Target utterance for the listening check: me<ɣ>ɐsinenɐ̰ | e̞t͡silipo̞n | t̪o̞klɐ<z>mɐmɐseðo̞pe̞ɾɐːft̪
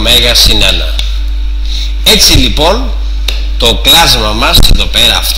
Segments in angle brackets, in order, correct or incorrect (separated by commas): correct, correct